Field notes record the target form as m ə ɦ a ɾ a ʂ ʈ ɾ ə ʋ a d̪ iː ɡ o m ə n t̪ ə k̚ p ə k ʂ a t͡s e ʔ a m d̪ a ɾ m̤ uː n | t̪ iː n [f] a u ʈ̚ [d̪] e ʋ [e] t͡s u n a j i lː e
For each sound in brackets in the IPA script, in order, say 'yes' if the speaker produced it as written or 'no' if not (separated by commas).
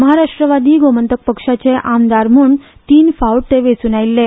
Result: yes, no, yes